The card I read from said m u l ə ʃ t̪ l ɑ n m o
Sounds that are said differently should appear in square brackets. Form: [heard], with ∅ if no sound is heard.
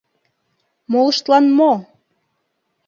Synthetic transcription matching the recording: m [o] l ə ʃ t̪ l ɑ n m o